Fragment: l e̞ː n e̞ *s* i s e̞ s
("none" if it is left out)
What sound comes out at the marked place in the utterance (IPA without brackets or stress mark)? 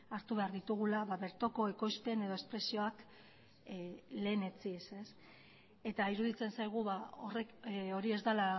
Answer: t͡s